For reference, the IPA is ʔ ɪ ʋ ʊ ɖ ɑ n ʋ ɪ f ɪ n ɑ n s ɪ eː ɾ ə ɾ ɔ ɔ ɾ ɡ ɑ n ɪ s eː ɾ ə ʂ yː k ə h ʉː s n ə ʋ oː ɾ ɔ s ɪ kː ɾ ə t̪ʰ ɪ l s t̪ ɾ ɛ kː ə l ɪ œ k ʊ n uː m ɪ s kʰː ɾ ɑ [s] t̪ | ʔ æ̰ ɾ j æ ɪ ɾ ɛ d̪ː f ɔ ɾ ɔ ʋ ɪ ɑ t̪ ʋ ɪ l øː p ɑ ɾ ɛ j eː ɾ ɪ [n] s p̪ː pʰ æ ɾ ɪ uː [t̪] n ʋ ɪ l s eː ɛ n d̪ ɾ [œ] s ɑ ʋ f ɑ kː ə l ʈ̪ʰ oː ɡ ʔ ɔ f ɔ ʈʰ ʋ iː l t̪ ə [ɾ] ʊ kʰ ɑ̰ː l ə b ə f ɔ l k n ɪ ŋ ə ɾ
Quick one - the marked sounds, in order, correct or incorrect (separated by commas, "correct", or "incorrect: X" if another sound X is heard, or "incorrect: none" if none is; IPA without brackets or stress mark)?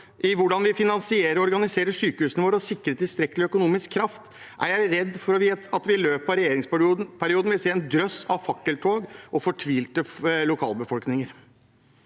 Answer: incorrect: f, incorrect: ŋ, incorrect: d̪, correct, incorrect: l